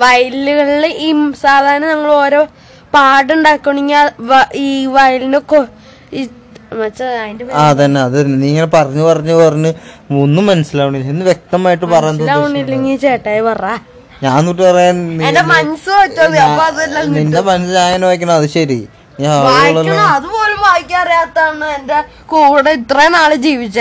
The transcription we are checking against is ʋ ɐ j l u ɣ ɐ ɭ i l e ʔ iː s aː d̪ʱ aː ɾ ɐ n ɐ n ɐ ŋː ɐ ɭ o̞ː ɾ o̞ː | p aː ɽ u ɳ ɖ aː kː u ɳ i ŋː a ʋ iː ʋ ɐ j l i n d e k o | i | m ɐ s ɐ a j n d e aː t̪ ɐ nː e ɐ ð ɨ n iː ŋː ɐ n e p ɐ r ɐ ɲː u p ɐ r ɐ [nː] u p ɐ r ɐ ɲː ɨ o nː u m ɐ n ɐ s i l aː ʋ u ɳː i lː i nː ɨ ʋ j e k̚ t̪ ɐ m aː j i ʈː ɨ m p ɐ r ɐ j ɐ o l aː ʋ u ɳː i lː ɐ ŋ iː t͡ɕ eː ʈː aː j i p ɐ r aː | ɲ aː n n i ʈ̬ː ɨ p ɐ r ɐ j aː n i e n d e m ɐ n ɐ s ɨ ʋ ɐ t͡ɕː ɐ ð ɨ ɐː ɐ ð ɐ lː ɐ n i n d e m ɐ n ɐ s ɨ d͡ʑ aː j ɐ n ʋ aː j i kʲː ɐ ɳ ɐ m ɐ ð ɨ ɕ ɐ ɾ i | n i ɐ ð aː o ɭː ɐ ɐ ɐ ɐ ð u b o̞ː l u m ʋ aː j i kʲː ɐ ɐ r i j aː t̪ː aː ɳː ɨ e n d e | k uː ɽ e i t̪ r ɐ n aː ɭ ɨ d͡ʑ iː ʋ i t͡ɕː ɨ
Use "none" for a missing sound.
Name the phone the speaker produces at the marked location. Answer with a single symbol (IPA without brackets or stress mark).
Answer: ɲː